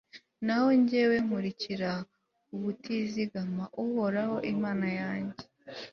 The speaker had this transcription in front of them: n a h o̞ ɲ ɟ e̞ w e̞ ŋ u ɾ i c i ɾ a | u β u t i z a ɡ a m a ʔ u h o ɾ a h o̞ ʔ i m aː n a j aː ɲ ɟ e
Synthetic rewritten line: n a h o̞ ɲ ɟ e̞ w e̞ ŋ u ɾ i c i ɾ a | u β u t i z i ɡ a m a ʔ u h o ɾ a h o̞ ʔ i m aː n a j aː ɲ ɟ e